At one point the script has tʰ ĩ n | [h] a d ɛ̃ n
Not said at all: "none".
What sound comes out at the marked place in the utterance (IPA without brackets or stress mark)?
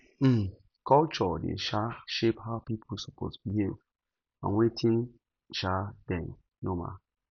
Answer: ʃ